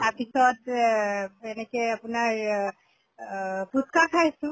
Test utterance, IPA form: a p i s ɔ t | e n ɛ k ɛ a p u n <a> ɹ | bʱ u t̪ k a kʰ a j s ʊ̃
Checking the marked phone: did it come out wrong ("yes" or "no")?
no